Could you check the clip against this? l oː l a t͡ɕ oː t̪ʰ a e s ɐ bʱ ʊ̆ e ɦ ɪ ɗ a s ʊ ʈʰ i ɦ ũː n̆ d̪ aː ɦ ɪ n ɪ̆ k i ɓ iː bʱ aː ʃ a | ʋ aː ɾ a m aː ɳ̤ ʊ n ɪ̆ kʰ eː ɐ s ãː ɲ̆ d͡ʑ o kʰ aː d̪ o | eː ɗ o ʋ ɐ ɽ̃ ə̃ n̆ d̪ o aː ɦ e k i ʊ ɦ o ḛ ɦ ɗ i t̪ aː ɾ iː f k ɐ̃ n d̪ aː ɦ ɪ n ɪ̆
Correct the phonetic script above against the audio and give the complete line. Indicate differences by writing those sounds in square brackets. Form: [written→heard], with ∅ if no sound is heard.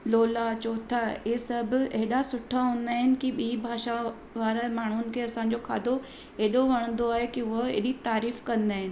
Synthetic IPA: l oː l a t͡ɕ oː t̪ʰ a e s ɐ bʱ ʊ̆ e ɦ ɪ ɗ a s ʊ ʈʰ [i→a] ɦ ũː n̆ d̪ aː ɦ ɪ n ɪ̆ k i ɓ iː bʱ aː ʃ a | ʋ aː ɾ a m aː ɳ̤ ʊ n ɪ̆ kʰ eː ɐ s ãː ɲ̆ d͡ʑ o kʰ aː d̪ o | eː ɗ o ʋ ɐ ɽ̃ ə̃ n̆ d̪ o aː ɦ e k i ʊ ɦ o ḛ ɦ ɗ i t̪ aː ɾ iː f k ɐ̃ n d̪ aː ɦ ɪ n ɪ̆